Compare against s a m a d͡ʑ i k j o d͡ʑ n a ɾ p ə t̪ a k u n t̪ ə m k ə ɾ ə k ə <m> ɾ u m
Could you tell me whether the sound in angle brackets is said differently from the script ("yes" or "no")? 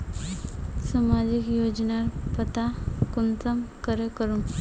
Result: yes